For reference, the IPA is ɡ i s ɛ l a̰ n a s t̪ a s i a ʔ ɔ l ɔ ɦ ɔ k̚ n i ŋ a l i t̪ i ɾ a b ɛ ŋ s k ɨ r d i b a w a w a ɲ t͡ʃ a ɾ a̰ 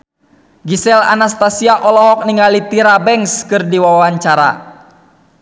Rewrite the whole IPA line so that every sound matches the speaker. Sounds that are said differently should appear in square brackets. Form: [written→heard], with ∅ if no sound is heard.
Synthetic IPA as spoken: ɡ i s ɛ l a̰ n a s t̪ a s i a ʔ ɔ l ɔ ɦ ɔ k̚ n i ŋ a l i t̪ i ɾ a b ɛ ŋ s k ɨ r d i [b→w] a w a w a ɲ t͡ʃ a ɾ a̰